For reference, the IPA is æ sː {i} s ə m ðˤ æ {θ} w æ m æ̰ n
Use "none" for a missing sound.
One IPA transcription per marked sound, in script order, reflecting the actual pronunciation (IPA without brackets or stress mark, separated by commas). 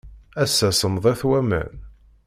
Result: æ, θ